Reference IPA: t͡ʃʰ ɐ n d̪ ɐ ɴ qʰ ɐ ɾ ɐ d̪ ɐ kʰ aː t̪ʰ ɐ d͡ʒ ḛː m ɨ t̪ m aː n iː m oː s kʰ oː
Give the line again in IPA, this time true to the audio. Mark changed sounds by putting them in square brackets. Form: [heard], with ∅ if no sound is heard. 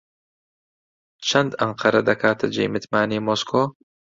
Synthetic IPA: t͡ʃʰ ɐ n d̪ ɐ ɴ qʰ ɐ ɾ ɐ d̪ ɐ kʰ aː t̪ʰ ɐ d͡ʒ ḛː m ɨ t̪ m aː n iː m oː s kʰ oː